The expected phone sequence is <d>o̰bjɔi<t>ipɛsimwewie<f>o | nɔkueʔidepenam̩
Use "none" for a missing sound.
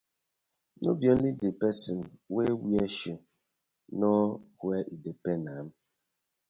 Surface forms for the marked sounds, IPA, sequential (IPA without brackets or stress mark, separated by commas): n, d, ʃ